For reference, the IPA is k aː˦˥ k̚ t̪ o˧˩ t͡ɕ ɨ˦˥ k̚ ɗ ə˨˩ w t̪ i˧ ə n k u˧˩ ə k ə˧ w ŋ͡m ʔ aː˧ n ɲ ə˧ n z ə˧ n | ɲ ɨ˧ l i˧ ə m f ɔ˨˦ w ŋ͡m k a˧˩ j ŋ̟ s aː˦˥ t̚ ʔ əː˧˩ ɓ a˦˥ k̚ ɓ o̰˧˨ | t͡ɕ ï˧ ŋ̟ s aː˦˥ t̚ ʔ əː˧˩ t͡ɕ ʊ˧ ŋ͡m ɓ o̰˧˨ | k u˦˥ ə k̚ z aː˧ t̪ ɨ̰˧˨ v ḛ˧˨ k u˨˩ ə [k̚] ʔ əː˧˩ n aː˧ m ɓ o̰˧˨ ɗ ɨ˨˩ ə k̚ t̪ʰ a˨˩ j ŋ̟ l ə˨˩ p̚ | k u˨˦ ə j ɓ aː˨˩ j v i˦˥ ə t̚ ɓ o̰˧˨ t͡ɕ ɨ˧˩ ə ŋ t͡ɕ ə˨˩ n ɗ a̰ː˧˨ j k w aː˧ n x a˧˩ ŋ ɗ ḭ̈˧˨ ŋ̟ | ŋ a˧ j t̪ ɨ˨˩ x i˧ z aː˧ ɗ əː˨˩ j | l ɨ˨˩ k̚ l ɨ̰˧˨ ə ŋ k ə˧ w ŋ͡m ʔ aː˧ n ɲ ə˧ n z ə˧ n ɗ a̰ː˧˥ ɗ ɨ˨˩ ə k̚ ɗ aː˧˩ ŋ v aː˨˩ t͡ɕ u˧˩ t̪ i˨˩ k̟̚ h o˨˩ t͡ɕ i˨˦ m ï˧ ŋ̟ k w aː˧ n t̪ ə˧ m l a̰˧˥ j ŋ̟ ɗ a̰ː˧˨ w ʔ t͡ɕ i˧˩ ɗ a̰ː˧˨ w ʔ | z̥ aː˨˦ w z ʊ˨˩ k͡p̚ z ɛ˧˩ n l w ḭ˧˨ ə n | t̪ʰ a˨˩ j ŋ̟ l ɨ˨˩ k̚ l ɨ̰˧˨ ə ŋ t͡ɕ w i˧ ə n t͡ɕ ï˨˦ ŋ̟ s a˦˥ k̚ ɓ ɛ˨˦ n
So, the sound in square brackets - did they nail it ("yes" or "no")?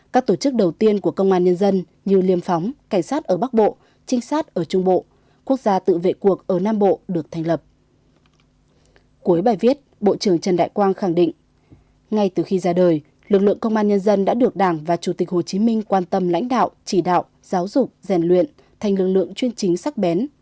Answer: yes